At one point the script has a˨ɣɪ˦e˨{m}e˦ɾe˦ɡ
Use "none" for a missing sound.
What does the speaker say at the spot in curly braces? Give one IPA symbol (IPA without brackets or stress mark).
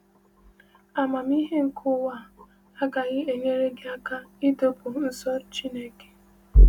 ɲ